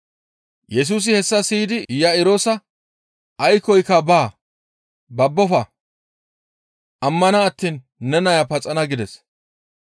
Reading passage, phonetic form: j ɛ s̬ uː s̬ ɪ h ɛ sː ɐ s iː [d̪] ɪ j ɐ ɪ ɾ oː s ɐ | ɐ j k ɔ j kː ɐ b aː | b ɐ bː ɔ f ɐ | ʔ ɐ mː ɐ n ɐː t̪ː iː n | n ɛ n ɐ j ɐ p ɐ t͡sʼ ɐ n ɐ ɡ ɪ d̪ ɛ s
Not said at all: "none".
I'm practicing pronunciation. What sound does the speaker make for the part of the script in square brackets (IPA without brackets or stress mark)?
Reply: d̪